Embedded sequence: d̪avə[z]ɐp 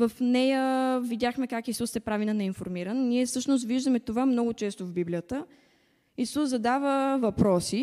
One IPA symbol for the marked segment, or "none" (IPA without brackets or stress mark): v